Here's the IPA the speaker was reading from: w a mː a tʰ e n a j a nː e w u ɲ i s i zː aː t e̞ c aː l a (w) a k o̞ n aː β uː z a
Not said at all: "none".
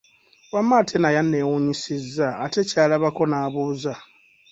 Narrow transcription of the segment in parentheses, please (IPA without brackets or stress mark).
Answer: β